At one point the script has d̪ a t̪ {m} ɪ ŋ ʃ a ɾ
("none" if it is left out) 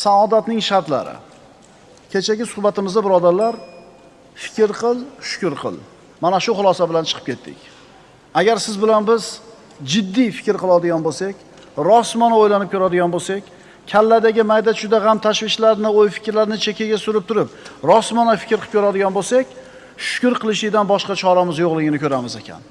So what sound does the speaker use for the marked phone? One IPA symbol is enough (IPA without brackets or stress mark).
n